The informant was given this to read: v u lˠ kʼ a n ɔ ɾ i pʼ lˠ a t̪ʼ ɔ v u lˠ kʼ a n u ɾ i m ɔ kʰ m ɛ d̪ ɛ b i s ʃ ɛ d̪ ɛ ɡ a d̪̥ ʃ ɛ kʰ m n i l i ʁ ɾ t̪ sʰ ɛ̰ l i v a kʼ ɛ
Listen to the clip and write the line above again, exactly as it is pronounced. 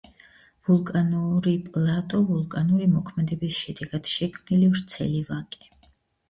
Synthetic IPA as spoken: v u lˠ kʼ a n u ɾ i pʼ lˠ a t̪ʼ ɔ v u lˠ kʼ a n u ɾ i m ɔ kʰ m ɛ d̪ ɛ b i s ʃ ɛ d̪ ɛ ɡ a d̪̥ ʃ ɛ kʰ m n i l i v ɾ t̪ sʰ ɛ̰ l i v a kʼ ɛ